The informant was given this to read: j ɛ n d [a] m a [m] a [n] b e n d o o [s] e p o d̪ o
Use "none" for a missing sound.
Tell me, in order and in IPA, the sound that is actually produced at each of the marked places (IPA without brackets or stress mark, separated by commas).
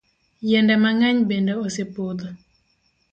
ɛ, ŋ, ɲ, s